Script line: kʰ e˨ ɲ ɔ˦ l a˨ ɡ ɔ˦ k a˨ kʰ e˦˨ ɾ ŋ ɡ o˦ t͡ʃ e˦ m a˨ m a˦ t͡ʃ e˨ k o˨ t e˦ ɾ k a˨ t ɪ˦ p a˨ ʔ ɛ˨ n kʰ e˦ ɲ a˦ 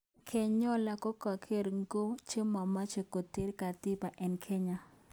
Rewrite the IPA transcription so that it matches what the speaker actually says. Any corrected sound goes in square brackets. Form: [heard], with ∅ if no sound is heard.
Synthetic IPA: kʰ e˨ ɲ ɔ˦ l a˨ [k] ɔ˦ k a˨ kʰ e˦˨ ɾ ŋ ɡ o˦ t͡ʃ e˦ m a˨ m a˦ t͡ʃ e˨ k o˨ t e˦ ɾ k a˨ t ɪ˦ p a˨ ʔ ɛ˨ n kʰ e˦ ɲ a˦